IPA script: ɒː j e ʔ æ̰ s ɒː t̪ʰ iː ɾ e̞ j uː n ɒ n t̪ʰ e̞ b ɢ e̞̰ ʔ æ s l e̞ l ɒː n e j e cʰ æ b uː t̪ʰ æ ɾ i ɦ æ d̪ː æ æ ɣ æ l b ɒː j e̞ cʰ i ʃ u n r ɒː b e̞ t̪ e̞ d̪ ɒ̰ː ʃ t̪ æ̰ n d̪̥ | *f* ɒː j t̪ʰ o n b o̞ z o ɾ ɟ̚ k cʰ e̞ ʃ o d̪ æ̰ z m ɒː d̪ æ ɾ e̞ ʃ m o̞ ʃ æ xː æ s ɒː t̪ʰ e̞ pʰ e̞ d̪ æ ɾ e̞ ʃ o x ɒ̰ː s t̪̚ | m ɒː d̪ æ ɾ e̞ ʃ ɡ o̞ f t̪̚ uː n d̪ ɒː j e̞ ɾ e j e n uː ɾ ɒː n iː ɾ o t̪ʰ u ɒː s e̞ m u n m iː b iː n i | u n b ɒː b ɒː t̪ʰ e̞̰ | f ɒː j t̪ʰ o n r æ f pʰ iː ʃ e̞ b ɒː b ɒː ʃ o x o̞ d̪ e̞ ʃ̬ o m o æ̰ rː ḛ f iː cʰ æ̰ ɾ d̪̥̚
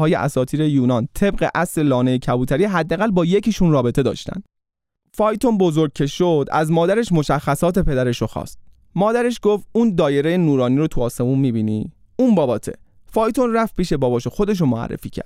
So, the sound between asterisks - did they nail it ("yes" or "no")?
yes